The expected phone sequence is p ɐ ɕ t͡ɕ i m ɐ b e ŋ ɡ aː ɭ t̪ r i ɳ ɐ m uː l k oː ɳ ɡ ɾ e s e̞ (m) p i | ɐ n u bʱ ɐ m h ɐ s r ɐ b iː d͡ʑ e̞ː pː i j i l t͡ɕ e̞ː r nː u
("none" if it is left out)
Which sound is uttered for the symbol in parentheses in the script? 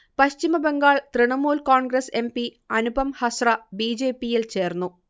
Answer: m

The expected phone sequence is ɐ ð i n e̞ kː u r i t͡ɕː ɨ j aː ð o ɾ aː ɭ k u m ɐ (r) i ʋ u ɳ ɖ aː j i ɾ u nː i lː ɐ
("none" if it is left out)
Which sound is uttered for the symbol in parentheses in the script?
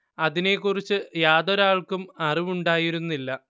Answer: r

